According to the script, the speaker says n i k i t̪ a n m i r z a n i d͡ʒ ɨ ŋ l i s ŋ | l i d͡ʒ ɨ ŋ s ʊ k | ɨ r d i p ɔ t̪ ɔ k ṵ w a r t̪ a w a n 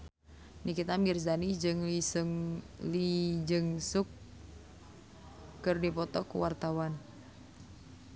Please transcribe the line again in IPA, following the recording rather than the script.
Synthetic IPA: n i k i t̪ a m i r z a n i d͡ʒ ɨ ŋ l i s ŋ | l i d͡ʒ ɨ ŋ s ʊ k | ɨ r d i p ɔ t̪ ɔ k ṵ w a r t̪ a w a n